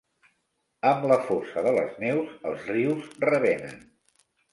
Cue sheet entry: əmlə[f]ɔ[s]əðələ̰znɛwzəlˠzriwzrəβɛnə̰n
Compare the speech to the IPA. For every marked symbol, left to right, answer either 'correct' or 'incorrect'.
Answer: correct, correct

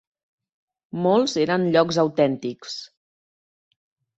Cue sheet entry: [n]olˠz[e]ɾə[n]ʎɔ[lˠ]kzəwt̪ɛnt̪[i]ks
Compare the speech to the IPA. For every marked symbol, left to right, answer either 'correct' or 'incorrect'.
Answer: incorrect, correct, correct, incorrect, correct

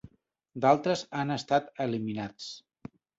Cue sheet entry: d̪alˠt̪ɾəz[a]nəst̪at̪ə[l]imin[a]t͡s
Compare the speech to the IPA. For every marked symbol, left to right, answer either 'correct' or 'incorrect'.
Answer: correct, correct, correct

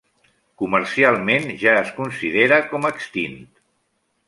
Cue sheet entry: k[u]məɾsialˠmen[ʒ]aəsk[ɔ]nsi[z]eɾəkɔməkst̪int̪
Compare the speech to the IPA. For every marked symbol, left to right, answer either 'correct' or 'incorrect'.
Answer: correct, correct, incorrect, incorrect

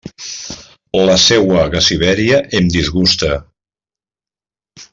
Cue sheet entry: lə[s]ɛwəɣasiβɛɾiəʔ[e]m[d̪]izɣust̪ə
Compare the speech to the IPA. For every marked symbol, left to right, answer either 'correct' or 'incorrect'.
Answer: correct, correct, correct

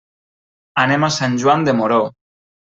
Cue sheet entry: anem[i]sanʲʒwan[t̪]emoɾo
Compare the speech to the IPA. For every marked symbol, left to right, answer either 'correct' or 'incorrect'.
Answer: incorrect, incorrect

